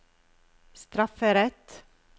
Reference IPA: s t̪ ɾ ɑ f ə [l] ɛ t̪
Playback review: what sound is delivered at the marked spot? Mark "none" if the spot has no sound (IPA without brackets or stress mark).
ɾ